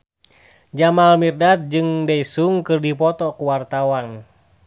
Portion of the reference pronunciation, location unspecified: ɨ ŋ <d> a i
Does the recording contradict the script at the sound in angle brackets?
no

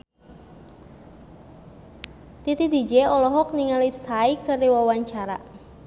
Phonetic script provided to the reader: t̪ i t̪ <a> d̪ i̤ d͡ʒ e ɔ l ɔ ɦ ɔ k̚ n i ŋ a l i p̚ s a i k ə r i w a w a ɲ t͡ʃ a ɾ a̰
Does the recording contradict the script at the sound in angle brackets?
yes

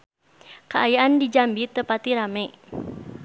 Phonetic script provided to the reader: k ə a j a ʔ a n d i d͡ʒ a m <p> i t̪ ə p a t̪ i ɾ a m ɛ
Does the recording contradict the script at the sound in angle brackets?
yes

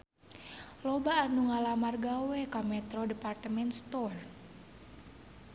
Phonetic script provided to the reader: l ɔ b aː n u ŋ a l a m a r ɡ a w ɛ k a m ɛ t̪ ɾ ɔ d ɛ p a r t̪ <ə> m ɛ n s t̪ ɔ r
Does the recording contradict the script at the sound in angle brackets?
no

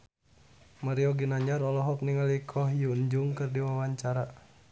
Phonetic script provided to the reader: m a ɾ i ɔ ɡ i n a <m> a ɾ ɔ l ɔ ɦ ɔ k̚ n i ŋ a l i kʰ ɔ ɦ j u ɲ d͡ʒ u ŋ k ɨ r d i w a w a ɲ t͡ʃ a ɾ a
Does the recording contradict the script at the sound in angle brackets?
yes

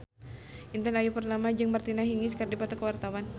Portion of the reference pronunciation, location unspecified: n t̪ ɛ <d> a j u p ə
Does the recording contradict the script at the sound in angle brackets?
yes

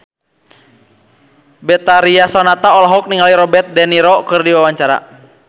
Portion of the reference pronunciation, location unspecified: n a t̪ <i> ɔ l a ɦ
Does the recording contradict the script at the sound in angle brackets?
yes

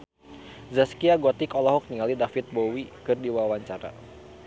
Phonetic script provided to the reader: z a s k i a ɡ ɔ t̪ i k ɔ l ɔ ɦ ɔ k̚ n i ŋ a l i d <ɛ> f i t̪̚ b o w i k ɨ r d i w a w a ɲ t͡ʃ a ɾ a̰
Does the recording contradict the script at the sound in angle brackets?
yes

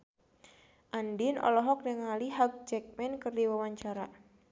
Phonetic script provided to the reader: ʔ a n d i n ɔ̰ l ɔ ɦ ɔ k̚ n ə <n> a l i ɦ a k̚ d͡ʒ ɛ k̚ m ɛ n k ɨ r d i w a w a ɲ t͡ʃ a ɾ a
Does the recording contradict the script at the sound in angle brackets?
yes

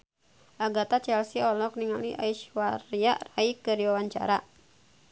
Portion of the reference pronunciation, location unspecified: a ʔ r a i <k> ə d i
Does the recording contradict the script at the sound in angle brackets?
no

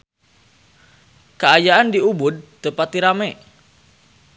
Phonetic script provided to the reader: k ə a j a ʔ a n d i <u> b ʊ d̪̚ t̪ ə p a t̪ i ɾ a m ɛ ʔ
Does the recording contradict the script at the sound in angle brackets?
no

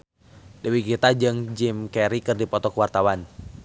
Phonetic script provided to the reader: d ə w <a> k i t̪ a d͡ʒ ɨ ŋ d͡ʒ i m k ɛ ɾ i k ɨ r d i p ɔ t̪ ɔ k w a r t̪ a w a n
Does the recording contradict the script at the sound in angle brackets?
yes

